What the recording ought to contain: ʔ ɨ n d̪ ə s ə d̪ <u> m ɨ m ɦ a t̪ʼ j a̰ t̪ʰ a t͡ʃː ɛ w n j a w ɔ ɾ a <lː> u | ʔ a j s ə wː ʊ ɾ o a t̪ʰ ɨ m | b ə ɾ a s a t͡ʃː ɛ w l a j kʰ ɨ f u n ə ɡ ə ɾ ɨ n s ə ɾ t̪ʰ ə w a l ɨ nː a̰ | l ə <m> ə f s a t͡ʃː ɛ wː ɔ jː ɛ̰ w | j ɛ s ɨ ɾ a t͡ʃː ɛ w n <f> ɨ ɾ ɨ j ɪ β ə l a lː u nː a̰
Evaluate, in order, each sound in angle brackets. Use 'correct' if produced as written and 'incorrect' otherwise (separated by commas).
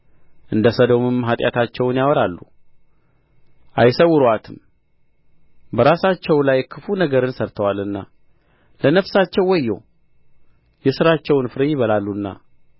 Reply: incorrect, correct, incorrect, correct